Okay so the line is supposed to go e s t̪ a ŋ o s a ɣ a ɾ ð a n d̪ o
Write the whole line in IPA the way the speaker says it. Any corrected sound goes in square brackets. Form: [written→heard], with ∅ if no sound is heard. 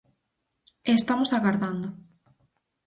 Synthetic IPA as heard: e s t̪ a [ŋ→m] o s a ɣ a ɾ ð a n d̪ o